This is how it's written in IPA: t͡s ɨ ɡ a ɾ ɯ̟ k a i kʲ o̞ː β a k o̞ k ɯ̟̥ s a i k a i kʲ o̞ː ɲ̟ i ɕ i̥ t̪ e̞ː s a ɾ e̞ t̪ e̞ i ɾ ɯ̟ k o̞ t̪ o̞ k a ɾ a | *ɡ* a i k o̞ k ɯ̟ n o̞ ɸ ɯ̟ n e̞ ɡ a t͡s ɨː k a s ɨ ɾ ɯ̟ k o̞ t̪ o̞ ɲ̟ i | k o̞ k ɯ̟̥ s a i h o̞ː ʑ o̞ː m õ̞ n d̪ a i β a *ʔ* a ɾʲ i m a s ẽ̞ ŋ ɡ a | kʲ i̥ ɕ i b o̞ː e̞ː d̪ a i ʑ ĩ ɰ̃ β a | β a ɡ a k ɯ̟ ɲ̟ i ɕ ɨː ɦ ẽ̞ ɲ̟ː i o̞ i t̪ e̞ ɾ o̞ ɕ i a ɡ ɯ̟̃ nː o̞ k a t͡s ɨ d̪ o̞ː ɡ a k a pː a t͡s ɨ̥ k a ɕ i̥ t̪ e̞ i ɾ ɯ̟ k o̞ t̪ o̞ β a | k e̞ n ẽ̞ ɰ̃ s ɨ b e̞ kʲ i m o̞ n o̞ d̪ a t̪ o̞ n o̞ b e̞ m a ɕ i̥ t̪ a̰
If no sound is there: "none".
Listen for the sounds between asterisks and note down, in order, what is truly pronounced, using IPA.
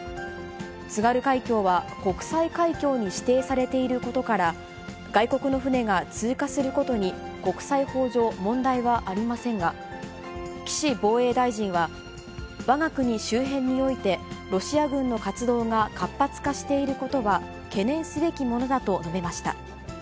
ɡ, ʔ

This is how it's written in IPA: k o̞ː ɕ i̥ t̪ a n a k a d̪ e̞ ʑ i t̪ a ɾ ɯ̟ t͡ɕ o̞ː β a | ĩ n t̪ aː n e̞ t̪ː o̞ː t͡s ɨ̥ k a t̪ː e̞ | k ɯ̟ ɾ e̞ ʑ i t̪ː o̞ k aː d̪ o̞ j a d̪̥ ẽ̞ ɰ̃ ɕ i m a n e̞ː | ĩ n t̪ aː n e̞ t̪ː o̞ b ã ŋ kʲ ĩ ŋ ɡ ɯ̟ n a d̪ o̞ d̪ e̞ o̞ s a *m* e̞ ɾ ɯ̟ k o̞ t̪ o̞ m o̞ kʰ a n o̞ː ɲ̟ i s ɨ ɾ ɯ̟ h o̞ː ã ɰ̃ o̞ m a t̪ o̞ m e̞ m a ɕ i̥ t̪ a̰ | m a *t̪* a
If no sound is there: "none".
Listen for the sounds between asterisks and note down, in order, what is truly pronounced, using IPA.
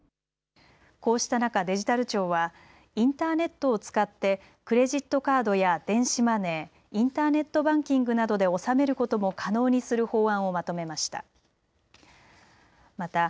m, t̪

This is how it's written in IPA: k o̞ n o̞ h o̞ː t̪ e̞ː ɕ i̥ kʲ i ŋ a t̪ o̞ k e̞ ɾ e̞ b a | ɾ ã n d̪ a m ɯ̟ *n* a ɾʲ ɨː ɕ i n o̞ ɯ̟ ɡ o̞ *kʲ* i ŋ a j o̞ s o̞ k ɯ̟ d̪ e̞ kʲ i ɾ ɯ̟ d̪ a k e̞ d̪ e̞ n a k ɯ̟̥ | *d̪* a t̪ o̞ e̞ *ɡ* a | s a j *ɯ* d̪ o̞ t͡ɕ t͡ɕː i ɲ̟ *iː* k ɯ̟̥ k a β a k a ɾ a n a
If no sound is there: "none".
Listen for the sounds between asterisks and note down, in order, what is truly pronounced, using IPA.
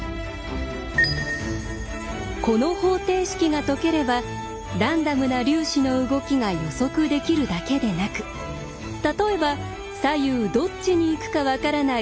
n, kʲ, t̪, b, ɯː, iː

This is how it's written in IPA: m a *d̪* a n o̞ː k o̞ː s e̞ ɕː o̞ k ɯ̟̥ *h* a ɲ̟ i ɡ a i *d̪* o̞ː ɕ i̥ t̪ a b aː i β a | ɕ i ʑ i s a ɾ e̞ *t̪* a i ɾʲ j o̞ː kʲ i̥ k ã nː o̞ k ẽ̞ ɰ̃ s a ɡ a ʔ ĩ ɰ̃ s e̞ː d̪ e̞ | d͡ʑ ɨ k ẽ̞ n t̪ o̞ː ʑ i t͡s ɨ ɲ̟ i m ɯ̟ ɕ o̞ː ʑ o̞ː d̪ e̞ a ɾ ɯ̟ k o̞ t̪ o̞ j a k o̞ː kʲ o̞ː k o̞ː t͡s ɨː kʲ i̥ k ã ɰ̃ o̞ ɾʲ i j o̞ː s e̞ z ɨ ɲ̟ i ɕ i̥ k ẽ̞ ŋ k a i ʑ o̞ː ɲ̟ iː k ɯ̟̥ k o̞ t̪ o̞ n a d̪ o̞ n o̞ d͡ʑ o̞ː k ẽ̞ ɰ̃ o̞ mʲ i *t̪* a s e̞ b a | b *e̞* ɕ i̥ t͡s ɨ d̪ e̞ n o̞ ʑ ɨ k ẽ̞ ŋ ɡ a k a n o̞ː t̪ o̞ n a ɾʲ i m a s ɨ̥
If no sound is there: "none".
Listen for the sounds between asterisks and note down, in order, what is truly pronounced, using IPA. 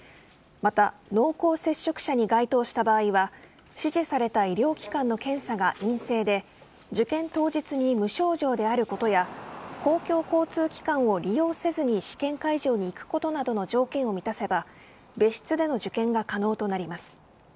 t̪, ɕ, t̪, t̪, t̪, e̞

